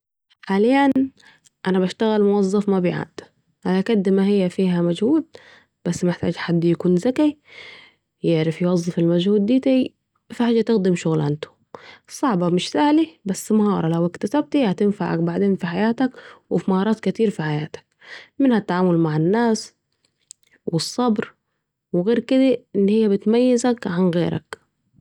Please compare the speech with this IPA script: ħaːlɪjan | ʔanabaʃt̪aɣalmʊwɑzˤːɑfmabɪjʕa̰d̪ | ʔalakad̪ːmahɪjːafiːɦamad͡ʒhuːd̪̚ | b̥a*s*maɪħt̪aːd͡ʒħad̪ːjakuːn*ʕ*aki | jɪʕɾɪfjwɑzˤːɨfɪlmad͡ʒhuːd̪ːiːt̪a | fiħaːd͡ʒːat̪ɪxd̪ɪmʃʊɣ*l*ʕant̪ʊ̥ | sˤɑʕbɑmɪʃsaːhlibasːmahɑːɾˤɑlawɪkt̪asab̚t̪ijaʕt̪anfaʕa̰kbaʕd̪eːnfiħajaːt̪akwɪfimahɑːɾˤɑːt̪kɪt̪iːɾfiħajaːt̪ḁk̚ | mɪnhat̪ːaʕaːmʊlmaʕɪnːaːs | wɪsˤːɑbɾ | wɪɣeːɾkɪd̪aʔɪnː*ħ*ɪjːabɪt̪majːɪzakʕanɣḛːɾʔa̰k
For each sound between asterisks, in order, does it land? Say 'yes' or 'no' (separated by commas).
no, no, yes, no